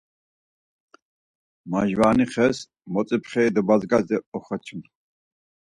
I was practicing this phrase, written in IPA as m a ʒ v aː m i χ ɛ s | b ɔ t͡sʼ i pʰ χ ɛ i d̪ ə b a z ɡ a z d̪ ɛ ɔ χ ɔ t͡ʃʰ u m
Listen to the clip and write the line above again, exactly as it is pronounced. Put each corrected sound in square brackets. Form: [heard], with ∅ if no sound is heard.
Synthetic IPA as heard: m a ʒ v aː [n] i χ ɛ s | [m] ɔ t͡sʼ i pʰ χ ɛ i d̪ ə b a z ɡ a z d̪ ɛ ɔ χ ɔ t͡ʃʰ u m

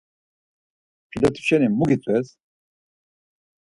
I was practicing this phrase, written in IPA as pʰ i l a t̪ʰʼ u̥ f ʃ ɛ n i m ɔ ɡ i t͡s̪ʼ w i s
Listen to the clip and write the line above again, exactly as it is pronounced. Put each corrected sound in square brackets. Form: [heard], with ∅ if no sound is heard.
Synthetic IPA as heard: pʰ i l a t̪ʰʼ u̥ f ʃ ɛ n i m [u] ɡ i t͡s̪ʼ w [ɛ] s

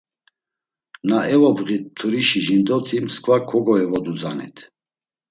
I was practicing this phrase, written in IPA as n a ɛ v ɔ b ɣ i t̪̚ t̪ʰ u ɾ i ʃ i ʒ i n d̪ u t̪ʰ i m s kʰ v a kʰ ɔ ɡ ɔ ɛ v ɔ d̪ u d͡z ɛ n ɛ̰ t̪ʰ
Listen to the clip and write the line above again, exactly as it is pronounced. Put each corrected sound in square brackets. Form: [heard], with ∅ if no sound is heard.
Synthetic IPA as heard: n a ɛ v ɔ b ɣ i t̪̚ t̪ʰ u ɾ i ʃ i ʒ i n d̪ [ɔ] t̪ʰ i m s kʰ v a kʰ ɔ ɡ ɔ ɛ v ɔ d̪ u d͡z [a] n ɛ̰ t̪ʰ

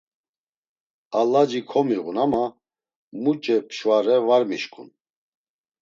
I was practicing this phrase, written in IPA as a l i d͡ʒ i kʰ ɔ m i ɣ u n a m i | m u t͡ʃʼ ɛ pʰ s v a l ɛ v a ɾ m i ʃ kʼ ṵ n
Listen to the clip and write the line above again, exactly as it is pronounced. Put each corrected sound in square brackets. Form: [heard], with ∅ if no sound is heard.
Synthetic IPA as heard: a l [a] d͡ʒ i kʰ ɔ m i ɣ u n a m [a] | m u t͡ʃʼ ɛ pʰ [ʃ] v a [ɾ] ɛ v a ɾ m i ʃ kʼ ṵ n

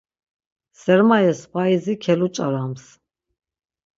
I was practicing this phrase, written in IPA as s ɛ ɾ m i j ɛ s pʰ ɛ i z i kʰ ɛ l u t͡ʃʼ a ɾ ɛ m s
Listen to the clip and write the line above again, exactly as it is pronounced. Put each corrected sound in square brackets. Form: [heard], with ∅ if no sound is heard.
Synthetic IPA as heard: s ɛ ɾ m [a] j ɛ s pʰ [a] i z i kʰ ɛ l u t͡ʃʼ a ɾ [a] m s

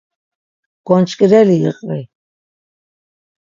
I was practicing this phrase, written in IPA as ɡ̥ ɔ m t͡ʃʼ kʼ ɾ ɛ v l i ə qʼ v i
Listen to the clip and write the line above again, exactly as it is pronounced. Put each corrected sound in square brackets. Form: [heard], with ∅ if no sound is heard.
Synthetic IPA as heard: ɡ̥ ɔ [n] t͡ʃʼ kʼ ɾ ɛ [∅] l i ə qʼ v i

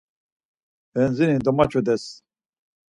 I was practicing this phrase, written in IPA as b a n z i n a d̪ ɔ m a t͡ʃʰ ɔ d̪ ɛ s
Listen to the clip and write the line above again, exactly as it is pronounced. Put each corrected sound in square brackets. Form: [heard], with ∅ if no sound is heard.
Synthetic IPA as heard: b [ɛ] n z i n [i] d̪ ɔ m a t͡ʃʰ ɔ d̪ ɛ s

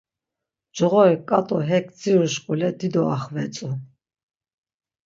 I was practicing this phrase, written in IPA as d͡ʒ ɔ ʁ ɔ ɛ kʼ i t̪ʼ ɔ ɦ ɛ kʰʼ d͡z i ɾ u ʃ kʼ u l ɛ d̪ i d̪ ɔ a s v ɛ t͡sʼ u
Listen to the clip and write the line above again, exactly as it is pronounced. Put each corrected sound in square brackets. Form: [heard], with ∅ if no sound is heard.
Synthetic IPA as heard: d͡ʒ ɔ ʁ ɔ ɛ kʼ [a] t̪ʼ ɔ ɦ ɛ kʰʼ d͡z i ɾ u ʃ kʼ u l ɛ d̪ i d̪ ɔ a [χ] v ɛ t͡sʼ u

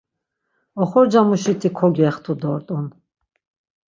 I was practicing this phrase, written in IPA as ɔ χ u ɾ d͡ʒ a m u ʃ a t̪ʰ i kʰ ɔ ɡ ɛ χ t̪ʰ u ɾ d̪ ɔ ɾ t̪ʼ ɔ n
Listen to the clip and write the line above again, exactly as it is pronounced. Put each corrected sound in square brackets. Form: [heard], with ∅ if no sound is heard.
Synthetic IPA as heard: ɔ χ [ɔ] ɾ d͡ʒ a m u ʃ [i] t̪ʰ i kʰ ɔ ɡ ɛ χ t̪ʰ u [∅] d̪ ɔ ɾ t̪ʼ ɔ n

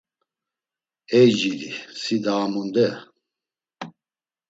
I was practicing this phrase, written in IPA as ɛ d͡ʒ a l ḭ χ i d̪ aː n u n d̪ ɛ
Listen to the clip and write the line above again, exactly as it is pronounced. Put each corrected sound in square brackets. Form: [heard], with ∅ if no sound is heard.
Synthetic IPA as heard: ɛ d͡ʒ [i] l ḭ [s] i d̪ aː [m] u n d̪ ɛ

